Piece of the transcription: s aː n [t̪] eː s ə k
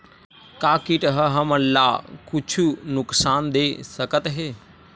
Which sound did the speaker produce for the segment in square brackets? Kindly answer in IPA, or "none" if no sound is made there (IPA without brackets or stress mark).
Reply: d̪